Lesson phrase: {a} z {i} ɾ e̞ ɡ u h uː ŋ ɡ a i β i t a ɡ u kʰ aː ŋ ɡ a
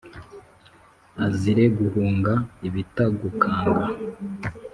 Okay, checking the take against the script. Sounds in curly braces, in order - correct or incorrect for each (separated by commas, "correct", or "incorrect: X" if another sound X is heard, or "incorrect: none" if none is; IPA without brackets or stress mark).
correct, correct